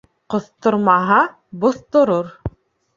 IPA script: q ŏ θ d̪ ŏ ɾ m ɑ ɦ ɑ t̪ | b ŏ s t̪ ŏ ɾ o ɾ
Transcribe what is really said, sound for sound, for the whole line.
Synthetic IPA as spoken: q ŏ θ t̪ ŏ ɾ m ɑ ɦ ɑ | b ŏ θ t̪ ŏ ɾ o ɾ